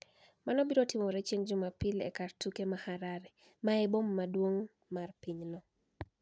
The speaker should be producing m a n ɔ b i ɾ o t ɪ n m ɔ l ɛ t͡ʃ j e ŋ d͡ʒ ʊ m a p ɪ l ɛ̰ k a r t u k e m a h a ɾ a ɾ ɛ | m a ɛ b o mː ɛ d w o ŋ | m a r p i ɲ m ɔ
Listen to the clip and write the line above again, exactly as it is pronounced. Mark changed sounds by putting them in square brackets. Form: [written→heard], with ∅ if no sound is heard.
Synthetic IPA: m a n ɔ b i ɾ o t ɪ [n→∅] m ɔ [l→ɾ] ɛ t͡ʃ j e ŋ d͡ʒ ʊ m a p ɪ l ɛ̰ k a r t u k e m a h a ɾ a ɾ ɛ | m a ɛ b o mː [ɛ→a] d w o ŋ | m a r p i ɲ [m→n] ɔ